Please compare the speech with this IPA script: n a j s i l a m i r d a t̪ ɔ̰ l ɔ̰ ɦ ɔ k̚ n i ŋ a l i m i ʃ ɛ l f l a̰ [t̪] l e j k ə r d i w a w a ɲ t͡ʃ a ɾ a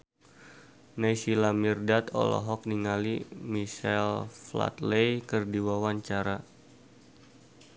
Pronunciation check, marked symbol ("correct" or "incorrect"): correct